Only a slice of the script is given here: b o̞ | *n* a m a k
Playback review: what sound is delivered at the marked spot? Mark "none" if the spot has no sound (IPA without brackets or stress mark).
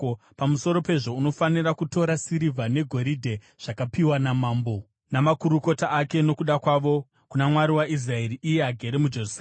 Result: n